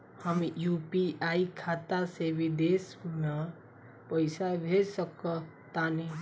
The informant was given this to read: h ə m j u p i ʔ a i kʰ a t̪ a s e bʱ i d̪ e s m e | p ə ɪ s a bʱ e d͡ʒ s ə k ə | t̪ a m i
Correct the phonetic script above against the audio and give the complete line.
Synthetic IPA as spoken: h ə m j u p i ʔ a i kʰ a t̪ a s e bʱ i d̪ e s m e | p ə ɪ s a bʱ e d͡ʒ s ə k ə | t̪ a n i